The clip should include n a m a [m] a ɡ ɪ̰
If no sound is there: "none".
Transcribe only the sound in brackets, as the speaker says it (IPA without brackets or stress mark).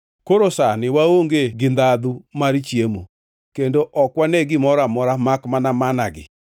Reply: n